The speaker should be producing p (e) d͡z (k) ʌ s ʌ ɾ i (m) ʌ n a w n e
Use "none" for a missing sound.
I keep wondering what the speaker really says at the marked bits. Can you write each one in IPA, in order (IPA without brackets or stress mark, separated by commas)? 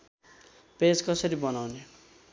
e, k, b